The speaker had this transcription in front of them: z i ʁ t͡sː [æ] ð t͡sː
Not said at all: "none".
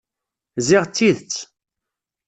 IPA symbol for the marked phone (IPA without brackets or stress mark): i